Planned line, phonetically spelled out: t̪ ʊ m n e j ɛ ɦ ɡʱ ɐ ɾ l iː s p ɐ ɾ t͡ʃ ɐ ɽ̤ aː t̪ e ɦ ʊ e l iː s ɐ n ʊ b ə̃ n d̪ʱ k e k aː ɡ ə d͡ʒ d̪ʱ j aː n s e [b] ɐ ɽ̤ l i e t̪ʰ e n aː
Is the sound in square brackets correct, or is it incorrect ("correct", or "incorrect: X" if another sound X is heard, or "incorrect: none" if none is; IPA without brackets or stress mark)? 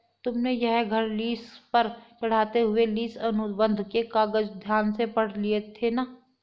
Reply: incorrect: p